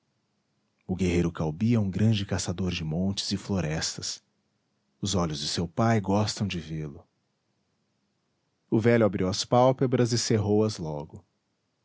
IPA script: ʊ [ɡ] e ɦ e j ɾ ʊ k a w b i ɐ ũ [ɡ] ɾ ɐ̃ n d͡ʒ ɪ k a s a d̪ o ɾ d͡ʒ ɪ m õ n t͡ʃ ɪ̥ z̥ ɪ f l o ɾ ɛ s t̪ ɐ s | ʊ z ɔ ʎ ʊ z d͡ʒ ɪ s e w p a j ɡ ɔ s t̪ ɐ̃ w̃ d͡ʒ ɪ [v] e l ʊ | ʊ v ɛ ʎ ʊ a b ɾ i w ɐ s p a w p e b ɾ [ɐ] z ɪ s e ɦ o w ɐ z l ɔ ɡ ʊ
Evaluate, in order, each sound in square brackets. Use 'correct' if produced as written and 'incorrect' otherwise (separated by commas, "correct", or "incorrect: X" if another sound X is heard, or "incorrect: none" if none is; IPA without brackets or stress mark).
correct, correct, correct, correct